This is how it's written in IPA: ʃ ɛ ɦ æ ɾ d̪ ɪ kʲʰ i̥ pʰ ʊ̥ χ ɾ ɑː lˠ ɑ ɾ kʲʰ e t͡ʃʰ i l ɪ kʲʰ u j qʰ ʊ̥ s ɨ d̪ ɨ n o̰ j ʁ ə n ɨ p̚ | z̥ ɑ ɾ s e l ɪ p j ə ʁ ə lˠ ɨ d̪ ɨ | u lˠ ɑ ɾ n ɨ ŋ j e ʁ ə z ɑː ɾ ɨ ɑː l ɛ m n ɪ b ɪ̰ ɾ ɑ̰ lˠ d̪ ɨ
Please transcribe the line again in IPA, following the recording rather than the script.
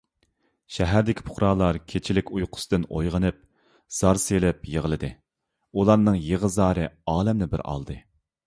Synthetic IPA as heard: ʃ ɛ ɦ æ ɾ d̪ ɪ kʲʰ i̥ pʰ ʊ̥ χ ɾ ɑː lˠ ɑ ɾ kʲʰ e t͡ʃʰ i l ɪ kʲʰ u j qʰ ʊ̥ s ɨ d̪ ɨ n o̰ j ʁ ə n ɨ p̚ | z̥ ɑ ɾ s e l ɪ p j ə ʁ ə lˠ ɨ d̪ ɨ | u lˠ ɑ ɾ n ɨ ŋ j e ʁ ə z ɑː ɾ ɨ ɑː l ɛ m n ɪ b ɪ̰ ɾ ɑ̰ lˠ d̪ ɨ